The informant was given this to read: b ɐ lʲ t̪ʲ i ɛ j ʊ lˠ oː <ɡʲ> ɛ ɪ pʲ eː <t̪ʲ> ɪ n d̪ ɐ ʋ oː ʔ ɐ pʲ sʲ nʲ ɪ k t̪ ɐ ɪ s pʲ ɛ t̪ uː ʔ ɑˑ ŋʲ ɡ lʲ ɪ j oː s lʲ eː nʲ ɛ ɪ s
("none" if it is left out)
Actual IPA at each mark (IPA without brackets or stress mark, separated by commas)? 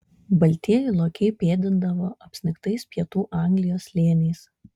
kʲ, d̪ʲ